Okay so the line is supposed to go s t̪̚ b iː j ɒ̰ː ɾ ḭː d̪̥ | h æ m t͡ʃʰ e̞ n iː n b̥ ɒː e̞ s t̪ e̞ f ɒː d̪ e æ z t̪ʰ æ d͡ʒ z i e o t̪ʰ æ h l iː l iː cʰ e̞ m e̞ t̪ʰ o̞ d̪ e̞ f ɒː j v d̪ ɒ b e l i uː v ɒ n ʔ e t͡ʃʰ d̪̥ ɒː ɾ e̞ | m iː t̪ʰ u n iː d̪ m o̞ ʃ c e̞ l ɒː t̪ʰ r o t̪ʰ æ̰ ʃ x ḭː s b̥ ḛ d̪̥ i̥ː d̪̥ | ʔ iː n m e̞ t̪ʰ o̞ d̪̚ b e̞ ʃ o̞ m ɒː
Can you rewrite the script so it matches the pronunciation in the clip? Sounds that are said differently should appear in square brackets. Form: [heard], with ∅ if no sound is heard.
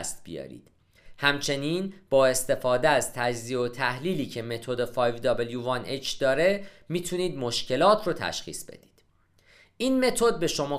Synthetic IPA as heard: s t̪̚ b [i] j ɒ̰ː ɾ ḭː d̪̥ | h æ m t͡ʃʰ e̞ n iː n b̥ ɒː e̞ s t̪ e̞ f ɒː d̪ e æ z t̪ʰ æ d͡ʒ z i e o t̪ʰ æ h l iː l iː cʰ e̞ m e̞ t̪ʰ o̞ d̪ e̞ f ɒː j v d̪ ɒ b e l [j] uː v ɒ n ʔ e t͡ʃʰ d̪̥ ɒː ɾ e̞ | m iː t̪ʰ u n iː d̪ m o̞ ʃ c e̞ l ɒː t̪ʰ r o t̪ʰ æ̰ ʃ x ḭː s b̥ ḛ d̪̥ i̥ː d̪̥ | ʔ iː n m e̞ t̪ʰ o̞ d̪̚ b e̞ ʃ o̞ m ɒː